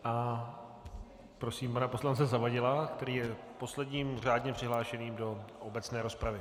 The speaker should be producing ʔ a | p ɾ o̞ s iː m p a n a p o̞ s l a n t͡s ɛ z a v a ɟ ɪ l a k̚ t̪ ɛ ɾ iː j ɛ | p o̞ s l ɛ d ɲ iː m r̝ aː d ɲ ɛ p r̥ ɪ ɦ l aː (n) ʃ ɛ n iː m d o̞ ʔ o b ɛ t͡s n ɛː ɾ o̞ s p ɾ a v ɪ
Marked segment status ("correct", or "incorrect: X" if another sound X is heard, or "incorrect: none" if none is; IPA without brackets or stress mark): incorrect: none